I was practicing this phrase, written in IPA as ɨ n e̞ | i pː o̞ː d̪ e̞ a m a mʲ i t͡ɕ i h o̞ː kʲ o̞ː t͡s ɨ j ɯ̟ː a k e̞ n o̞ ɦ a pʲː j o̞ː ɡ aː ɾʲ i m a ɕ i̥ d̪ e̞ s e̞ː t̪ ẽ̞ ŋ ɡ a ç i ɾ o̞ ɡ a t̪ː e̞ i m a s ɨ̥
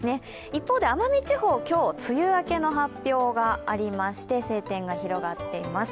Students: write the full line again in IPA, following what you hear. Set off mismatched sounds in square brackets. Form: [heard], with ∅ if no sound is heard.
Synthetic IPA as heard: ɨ n e̞ | i pː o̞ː d̪ e̞ a m a mʲ i t͡ɕ i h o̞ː kʲ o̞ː t͡s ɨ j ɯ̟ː a k e̞ n o̞ ɦ a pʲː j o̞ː ɡ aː ɾʲ i m a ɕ i̥ [t̪] e̞ s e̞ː t̪ ẽ̞ ŋ ɡ a ç i ɾ o̞ ɡ a t̪ː e̞ i m a s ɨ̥

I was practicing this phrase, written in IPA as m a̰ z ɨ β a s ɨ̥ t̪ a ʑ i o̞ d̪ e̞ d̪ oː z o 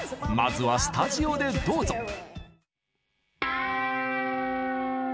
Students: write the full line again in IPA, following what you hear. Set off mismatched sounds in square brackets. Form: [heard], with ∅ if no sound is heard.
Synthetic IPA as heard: m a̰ z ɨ β a s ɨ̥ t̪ a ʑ i o̞ d̪ e̞ d̪ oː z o

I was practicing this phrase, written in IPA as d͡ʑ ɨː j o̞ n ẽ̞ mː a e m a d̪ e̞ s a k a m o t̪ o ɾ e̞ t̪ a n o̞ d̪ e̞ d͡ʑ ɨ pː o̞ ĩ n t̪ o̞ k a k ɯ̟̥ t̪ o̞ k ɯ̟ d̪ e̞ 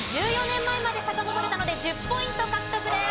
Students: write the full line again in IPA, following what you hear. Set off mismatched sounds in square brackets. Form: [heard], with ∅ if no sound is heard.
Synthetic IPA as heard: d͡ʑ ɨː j o̞ n ẽ̞ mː a e m a d̪ e̞ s a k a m o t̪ o ɾ e̞ t̪ a n o̞ d̪ e̞ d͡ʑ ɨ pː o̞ ĩ n t̪ o̞ k a k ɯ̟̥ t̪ o̞ k ɯ̟ d̪ e̞

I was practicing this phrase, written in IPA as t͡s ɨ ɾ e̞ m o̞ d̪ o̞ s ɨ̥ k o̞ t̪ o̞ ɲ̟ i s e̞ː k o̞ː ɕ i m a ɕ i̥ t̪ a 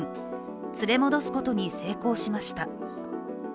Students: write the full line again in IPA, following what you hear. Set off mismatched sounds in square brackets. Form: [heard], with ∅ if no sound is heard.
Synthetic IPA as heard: t͡s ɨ ɾ e̞ m o̞ d̪ o̞ s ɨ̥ k o̞ t̪ o̞ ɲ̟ i s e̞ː k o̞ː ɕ i m a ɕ i̥ t̪ a

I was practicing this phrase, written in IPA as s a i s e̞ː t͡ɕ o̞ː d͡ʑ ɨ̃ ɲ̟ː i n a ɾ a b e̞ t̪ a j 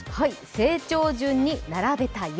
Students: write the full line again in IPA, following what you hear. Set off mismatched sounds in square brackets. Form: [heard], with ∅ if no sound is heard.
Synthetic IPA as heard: [h] a i s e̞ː t͡ɕ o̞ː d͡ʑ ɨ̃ ɲ̟ː i n a ɾ a b e̞ t̪ a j

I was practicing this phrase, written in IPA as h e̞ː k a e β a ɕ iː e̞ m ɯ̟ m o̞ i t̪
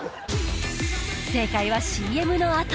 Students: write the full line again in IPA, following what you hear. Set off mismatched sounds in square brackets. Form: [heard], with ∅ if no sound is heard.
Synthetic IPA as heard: [s] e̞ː k a [i] β a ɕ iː e̞ m ɯ̟ [n] o̞ [a] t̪

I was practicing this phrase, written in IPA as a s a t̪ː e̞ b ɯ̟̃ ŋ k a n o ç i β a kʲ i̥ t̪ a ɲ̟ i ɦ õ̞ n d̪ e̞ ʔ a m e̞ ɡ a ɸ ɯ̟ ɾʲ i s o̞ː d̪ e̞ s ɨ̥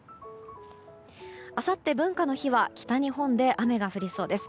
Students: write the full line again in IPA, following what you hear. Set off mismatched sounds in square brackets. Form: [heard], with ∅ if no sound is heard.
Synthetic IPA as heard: a s a t̪ː e̞ b ɯ̟̃ ŋ k a n o ç i β a kʲ i̥ t̪ a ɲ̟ i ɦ õ̞ n d̪ e̞ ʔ a m e̞ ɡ a ɸ ɯ̟ ɾʲ i s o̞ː d̪ e̞ s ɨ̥

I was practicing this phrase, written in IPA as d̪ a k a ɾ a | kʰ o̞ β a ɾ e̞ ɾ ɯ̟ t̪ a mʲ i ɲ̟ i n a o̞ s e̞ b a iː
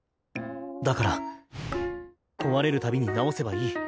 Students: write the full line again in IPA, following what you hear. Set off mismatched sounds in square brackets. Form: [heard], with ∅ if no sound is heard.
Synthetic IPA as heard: d̪ a k a ɾ a | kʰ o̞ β a ɾ e̞ ɾ ɯ̟ t̪ a [bʲ] i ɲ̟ i n a o̞ s e̞ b a iː

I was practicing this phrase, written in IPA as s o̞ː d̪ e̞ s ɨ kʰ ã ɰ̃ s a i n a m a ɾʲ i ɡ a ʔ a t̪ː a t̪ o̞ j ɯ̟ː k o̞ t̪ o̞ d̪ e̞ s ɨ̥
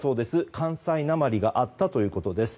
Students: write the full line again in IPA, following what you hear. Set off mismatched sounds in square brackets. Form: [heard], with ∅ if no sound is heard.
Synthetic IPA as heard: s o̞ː d̪ e̞ s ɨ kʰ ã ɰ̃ s a i n a m a ɾʲ i ɡ a ʔ a t̪ː a t̪ o̞ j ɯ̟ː k o̞ t̪ o̞ d̪ e̞ s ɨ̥

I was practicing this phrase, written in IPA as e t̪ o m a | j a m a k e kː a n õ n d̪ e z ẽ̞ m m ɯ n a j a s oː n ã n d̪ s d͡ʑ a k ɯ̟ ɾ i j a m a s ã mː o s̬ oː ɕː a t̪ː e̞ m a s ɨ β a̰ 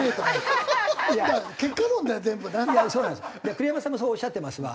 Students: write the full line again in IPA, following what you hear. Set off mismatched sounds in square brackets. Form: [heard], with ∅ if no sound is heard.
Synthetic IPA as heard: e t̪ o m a | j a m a k e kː a n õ n d̪ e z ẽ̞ m [b] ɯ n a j a s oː n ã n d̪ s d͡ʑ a k ɯ̟ ɾ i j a m a s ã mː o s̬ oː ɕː a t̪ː e̞ m a s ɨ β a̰

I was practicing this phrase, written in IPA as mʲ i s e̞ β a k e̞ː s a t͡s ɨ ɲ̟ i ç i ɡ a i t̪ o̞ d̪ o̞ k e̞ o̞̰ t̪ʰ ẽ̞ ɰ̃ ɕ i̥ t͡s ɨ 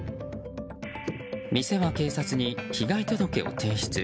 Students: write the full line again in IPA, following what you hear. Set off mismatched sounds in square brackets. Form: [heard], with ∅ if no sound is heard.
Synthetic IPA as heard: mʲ i s e̞ β a k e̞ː s a t͡s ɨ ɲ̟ i ç i ɡ a i t̪ o̞ d̪ o̞ k e̞ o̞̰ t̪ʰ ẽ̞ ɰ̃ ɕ i̥ t͡s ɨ

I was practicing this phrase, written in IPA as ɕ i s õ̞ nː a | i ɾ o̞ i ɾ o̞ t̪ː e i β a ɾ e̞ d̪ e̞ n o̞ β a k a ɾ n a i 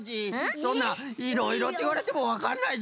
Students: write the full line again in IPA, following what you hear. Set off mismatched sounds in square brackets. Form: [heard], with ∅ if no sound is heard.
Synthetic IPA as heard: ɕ i s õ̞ nː a | i ɾ o̞ i ɾ o̞ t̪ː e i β a ɾ e̞ [t̪] e̞ [m] o̞ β a k a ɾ n a i

